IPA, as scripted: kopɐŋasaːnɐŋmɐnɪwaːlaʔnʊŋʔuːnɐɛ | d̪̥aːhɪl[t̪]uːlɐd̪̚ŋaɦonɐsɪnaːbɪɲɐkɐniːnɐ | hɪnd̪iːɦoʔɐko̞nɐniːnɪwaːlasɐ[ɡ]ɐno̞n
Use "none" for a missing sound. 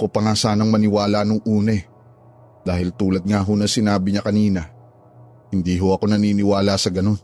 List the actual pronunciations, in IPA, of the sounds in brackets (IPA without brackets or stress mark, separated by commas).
t̪, ɡ